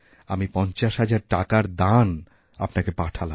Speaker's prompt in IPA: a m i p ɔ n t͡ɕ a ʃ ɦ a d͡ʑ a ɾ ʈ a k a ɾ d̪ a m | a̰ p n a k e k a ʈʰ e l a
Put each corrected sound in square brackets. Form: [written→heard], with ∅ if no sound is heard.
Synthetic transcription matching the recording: a m i p ɔ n t͡ɕ a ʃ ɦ a d͡ʑ a ɾ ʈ a k a ɾ d̪ a [m→n] | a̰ p n a k e [k→p] a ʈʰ [e→a] l a